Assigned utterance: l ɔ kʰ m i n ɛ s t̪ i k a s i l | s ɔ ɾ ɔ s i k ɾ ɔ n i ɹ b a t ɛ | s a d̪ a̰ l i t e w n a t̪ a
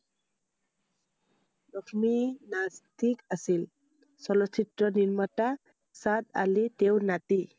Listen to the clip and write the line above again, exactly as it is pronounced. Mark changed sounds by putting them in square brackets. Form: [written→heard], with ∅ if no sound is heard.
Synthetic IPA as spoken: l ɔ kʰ m i n [ɛ→a] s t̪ i k a s i l | s ɔ [ɾ→l] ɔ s i [k→t] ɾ ɔ n i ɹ [b→m] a t [ɛ→a] | s a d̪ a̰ l i t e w n a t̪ [a→i]